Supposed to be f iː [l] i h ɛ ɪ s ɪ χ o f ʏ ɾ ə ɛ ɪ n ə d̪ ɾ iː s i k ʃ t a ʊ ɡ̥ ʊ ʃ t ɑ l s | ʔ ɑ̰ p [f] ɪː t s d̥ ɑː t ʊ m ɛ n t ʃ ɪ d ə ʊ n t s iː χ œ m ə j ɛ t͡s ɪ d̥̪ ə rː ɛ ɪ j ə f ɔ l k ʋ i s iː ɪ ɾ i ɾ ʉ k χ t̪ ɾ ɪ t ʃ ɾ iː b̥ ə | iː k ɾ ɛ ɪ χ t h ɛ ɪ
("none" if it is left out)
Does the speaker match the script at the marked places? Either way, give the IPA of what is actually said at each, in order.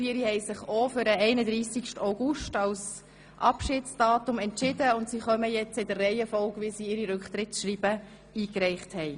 ɾ, ʃ

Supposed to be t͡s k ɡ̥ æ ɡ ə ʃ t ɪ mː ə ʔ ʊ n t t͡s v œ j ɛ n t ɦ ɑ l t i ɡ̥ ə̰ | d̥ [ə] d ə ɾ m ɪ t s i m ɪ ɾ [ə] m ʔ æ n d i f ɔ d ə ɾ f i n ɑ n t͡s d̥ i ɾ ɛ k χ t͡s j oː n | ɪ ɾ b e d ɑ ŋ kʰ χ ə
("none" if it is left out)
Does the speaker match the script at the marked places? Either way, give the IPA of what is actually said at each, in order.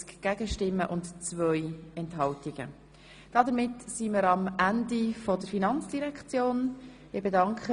ɑ, ɑ

